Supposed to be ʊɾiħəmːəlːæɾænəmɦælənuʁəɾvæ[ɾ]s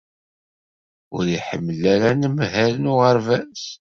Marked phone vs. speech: incorrect: none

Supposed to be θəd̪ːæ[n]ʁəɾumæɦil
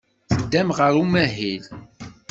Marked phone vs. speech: incorrect: m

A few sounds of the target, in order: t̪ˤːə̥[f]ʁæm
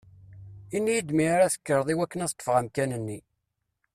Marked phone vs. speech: correct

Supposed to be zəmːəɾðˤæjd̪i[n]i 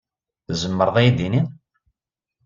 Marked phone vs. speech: correct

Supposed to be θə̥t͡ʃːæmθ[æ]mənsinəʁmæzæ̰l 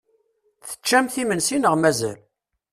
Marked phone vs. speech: incorrect: i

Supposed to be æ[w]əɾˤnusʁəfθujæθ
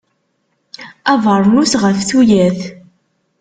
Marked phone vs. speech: incorrect: v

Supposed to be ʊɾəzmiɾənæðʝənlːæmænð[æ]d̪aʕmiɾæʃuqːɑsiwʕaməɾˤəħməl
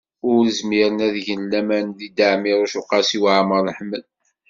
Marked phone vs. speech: incorrect: i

